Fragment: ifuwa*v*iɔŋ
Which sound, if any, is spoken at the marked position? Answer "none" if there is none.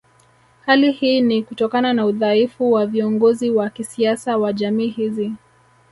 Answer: v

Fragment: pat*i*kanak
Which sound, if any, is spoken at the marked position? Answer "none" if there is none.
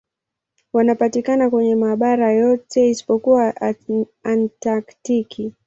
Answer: i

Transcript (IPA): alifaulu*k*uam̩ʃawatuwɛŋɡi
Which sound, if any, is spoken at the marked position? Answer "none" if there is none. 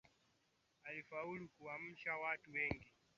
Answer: k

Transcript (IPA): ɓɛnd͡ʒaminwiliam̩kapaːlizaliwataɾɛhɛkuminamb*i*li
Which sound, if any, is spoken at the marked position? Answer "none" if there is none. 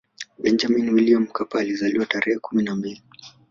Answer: i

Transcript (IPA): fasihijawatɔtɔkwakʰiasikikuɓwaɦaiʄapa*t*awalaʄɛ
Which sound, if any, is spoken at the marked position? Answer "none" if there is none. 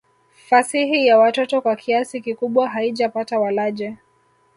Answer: t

